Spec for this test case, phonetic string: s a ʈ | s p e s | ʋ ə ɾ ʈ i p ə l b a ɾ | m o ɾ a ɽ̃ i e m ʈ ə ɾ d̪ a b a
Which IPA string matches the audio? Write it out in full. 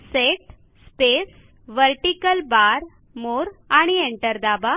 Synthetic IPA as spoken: s e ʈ | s p e s | ʋ ə ɾ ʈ i k ə l b a ɾ | m o ɾ a ɽ̃ i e ɳ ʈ ə ɾ d̪ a b a